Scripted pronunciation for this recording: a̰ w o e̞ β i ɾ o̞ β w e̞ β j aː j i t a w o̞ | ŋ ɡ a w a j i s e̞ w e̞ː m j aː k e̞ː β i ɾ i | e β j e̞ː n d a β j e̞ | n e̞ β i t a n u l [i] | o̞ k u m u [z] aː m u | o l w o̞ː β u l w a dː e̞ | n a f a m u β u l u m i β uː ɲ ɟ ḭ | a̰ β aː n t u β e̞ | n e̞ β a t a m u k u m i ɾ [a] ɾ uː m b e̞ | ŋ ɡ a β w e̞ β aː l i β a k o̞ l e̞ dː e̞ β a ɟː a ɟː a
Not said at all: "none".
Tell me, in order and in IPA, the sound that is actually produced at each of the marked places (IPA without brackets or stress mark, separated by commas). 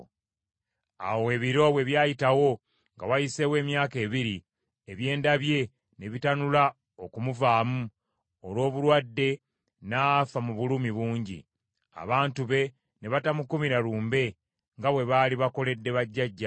a, v, a